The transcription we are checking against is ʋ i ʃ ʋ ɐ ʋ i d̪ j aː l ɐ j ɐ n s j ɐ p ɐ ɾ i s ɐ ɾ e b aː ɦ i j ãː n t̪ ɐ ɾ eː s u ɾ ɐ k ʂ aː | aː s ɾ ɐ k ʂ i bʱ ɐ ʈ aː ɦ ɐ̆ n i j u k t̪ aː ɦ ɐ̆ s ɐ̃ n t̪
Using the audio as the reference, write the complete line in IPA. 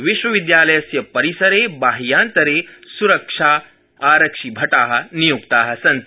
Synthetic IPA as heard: ʋ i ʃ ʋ ɐ ʋ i d̪ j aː l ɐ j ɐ s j ɐ p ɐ ɾ i s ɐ ɾ e b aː ɦ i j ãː n t̪ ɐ ɾ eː s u ɾ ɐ k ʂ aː | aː ɾ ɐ k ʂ i bʱ ɐ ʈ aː ɦ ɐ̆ n i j u k t̪ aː ɦ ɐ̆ s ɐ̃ n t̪